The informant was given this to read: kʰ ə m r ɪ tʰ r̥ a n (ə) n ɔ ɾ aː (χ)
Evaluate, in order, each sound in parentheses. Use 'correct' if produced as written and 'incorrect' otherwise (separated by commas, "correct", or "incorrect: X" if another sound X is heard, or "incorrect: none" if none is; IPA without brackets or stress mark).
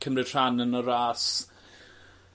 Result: correct, incorrect: s